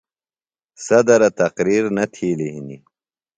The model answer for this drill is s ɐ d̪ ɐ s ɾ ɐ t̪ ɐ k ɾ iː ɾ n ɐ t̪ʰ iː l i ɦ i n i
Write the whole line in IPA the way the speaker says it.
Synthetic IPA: s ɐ d̪ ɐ ɾ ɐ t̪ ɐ q ɾ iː ɾ n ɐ t̪ʰ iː l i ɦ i n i